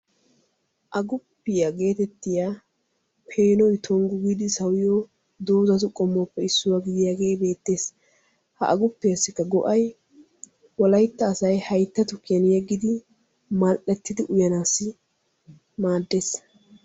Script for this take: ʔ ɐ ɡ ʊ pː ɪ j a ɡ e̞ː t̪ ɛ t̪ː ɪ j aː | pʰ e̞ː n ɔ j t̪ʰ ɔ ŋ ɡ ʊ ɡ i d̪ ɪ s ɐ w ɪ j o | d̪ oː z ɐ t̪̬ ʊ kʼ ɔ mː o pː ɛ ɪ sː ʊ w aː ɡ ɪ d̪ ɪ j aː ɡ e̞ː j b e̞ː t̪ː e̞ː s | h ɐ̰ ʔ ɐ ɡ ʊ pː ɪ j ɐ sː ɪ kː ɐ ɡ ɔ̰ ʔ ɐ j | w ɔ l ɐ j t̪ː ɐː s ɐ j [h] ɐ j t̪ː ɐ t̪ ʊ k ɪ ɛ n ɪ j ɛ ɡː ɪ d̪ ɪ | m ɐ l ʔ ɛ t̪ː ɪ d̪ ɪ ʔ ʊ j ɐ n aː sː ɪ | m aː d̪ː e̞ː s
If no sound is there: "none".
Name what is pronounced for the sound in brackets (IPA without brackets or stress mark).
h